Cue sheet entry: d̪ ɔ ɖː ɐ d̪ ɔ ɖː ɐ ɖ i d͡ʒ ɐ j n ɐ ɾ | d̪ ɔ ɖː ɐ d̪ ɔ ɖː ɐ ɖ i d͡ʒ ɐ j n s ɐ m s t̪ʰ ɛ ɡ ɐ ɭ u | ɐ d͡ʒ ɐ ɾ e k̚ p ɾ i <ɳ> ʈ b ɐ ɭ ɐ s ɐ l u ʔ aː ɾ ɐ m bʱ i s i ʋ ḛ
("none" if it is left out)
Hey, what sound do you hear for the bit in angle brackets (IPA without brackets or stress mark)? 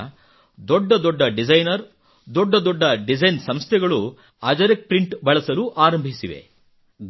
ɳ